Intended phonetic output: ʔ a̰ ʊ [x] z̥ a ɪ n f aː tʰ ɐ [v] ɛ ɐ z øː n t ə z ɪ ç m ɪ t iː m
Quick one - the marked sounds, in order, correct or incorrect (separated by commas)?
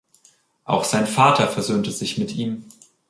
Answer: correct, incorrect